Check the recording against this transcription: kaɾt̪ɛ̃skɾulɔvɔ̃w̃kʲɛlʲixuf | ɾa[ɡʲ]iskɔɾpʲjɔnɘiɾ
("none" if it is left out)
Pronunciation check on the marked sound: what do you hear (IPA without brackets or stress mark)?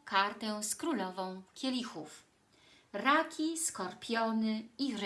kʲ